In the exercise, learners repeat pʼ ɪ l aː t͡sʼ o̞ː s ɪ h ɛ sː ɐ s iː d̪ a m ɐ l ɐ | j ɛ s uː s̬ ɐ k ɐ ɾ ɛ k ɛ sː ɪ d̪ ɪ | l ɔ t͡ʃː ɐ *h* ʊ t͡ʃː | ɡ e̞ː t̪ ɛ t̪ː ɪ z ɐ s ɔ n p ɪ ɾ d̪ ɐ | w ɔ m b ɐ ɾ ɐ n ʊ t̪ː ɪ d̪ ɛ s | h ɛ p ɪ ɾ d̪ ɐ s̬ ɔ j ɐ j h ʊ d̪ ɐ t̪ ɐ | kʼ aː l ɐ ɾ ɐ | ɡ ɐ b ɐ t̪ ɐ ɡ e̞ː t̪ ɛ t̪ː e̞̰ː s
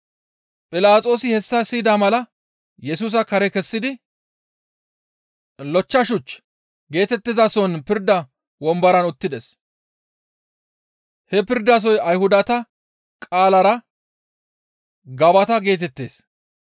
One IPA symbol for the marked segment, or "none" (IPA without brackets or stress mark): ʃ